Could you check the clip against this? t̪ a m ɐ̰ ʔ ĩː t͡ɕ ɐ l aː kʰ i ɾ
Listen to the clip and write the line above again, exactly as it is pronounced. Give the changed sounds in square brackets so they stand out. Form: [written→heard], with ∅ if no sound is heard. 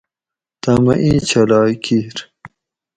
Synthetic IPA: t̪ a m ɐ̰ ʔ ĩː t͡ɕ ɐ l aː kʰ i ɾ